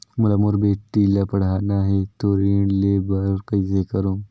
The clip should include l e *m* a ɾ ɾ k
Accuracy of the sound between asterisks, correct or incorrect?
incorrect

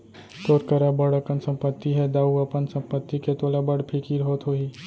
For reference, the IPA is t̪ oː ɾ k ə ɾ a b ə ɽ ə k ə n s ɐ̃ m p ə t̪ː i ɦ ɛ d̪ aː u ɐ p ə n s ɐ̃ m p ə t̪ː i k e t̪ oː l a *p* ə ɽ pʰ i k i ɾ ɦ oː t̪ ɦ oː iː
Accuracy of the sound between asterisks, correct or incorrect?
incorrect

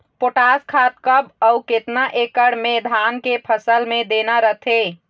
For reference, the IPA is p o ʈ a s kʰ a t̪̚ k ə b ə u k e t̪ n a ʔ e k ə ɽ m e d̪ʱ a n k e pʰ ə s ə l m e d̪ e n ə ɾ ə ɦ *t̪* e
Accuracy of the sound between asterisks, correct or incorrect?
incorrect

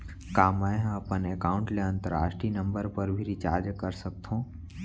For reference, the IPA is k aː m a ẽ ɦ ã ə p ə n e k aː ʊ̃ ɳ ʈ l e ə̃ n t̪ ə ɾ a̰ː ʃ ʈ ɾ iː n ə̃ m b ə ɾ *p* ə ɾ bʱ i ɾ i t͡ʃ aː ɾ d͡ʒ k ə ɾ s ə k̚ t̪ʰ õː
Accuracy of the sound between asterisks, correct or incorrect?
correct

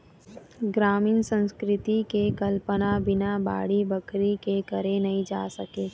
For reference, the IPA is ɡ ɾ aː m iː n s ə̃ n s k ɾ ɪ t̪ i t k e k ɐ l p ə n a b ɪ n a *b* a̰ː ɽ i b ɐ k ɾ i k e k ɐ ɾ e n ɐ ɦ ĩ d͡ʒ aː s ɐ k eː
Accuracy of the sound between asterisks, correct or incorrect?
correct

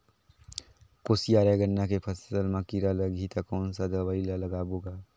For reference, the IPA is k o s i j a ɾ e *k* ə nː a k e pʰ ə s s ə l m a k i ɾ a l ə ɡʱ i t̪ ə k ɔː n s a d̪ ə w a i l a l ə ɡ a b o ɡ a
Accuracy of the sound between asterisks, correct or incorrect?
incorrect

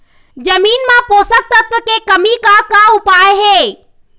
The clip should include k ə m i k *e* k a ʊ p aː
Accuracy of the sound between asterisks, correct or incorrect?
incorrect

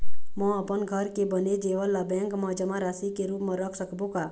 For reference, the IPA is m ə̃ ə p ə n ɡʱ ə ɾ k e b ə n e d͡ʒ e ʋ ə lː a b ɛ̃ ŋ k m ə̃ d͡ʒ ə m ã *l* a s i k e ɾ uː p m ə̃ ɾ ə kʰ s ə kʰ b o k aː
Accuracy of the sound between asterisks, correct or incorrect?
incorrect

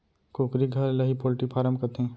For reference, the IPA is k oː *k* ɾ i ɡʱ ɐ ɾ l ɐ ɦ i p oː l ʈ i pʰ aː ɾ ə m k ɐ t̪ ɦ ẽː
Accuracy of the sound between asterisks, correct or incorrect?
correct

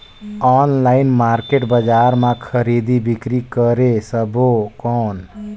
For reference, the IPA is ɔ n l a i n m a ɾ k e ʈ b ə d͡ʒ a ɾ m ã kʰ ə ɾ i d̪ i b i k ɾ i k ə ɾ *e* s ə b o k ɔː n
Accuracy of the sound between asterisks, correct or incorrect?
correct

